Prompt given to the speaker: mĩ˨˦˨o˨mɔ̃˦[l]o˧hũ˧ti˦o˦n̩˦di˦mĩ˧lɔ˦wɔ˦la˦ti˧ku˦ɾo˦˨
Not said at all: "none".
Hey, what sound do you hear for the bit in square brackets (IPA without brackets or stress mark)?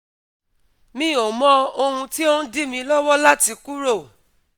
none